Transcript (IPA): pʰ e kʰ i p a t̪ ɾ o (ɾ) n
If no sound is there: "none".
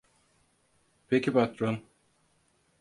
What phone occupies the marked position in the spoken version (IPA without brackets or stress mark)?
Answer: none